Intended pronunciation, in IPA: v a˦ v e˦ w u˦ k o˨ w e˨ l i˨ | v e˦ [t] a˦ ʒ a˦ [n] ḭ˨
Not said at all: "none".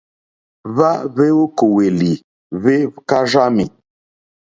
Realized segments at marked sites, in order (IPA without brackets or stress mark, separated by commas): k, m